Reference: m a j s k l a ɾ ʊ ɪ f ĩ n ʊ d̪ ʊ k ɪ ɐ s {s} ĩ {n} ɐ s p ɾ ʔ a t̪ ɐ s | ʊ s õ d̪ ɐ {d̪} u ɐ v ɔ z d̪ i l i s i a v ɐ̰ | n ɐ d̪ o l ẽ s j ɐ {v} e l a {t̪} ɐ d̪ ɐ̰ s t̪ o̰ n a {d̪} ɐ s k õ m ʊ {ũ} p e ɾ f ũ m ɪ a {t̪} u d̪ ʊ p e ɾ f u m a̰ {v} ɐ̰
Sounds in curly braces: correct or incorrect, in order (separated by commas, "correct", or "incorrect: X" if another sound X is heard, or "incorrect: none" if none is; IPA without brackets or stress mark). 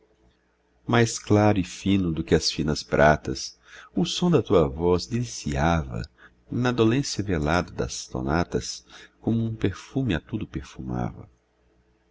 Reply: incorrect: f, correct, incorrect: t̪, correct, incorrect: d̪, incorrect: t̪, correct, correct, correct